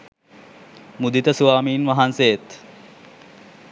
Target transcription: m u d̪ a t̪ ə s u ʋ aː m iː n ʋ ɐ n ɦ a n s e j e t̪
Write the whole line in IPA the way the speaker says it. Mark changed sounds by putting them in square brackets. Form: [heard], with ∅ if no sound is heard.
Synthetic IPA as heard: m u d̪ [i] t̪ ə s u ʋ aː m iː n ʋ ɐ [∅] ɦ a n s e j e t̪